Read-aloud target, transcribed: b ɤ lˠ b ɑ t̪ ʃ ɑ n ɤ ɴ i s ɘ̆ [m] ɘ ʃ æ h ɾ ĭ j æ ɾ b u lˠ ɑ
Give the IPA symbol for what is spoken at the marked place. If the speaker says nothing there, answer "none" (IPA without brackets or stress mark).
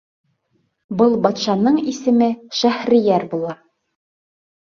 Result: m